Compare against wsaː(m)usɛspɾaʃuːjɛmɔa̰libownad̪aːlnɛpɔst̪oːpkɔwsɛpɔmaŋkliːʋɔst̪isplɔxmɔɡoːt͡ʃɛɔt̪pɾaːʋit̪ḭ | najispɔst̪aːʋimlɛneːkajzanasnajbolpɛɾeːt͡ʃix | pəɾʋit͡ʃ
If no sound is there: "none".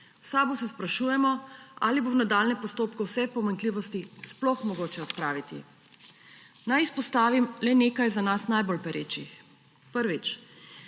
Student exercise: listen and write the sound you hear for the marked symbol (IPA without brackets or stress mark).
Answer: b